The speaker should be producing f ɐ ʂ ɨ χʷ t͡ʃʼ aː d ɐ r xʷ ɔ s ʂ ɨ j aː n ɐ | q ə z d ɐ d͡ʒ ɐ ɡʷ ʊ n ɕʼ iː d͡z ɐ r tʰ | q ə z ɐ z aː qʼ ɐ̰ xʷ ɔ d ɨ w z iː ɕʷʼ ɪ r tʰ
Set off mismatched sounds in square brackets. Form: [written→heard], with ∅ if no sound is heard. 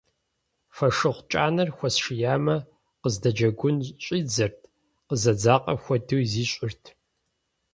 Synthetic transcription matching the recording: f ɐ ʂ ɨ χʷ t͡ʃʼ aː [d→n] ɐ r xʷ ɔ s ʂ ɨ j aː [n→m] ɐ | q ə z d ɐ d͡ʒ ɐ ɡʷ ʊ n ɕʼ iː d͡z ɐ r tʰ | q ə z ɐ [z→d͡z] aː qʼ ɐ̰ xʷ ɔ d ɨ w z iː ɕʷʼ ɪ r tʰ